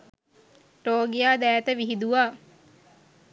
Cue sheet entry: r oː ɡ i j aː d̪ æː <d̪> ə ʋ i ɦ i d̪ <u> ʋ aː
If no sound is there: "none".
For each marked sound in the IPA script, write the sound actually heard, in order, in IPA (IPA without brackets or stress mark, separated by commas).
t̪, u